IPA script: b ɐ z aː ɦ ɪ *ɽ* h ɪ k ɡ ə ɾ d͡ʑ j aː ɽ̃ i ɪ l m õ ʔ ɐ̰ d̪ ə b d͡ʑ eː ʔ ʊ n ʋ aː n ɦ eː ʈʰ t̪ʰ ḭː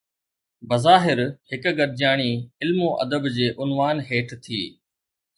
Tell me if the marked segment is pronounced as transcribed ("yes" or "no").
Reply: no